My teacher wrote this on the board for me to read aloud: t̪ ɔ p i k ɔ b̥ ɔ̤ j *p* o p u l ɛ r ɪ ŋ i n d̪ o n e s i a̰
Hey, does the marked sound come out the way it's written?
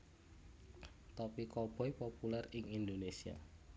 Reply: yes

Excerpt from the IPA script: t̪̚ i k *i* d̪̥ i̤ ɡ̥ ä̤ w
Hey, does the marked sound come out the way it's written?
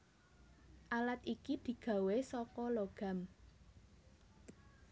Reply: yes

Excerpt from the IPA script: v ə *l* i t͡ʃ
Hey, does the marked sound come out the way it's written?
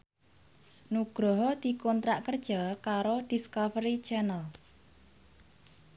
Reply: no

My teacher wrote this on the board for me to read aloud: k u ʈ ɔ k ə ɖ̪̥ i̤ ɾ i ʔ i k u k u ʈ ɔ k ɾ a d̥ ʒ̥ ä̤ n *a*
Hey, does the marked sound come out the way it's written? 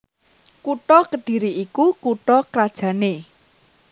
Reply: no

